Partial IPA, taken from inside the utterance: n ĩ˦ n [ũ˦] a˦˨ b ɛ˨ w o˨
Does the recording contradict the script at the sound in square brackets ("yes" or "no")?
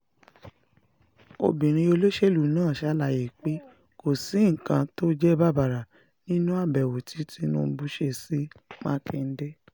no